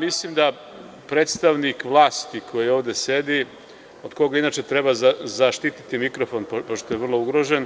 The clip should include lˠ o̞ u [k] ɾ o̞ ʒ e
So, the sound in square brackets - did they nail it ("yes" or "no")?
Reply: no